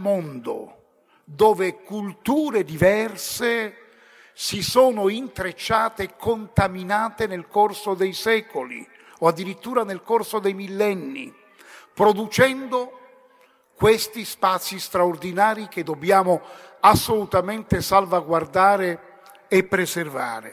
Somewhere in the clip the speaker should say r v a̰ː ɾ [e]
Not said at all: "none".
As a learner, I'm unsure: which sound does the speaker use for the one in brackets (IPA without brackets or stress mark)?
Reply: e